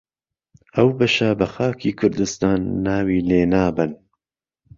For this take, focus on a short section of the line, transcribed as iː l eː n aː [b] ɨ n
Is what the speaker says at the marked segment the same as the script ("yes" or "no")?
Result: yes